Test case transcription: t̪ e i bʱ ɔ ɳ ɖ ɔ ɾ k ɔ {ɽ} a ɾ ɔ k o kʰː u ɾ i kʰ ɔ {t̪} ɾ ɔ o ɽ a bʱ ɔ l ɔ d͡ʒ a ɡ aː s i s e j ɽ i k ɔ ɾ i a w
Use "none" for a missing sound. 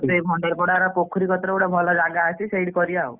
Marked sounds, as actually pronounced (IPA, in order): ɽ, t̪

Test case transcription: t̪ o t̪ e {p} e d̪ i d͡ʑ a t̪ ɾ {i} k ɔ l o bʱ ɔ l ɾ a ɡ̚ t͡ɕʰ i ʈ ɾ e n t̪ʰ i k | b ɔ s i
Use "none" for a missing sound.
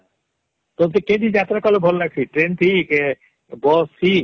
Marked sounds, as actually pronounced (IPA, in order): k, a

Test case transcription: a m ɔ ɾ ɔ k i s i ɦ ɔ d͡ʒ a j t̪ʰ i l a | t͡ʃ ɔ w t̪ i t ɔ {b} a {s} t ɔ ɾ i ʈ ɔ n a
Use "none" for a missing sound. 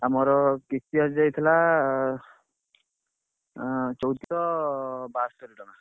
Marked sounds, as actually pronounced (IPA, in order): b, s

